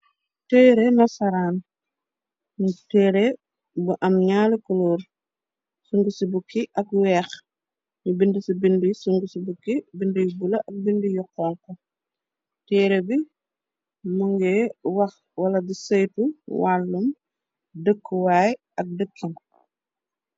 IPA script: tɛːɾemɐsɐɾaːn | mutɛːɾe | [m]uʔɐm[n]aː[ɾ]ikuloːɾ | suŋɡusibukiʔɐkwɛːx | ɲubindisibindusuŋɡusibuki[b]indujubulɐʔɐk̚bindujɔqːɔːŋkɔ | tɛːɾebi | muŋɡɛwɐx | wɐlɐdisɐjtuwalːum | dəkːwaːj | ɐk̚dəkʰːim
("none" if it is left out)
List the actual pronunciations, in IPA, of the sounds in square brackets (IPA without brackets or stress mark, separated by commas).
b, ɲ, l, b